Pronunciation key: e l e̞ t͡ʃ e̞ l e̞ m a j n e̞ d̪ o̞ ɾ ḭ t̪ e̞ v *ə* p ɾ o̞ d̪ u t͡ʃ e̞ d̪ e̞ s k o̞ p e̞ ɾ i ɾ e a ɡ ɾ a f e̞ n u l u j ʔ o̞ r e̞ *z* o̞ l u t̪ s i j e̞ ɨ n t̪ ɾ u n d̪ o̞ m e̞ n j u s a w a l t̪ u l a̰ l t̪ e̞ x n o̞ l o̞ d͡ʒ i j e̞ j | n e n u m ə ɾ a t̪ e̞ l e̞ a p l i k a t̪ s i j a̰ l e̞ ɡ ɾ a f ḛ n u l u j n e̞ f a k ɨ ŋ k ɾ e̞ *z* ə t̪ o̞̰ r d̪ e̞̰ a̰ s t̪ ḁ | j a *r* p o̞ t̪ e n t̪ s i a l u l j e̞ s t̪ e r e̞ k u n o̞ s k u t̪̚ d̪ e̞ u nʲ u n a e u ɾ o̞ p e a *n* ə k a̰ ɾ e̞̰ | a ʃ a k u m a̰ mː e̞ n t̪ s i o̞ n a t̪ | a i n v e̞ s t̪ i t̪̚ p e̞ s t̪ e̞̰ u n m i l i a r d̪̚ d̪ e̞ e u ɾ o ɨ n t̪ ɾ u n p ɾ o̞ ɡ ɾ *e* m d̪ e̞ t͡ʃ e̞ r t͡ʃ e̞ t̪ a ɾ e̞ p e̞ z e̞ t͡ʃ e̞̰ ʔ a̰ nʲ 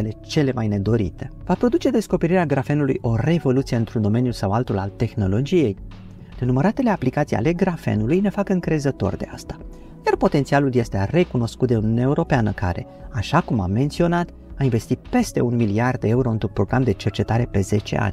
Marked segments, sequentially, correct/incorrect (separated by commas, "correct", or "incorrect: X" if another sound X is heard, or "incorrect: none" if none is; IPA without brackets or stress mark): incorrect: a, incorrect: v, correct, correct, correct, incorrect: a